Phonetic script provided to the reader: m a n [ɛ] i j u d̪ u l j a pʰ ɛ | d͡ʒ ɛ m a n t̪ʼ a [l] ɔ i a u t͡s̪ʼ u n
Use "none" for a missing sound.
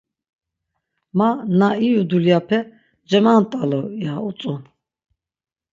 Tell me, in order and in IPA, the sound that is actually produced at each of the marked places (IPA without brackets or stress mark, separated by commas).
a, l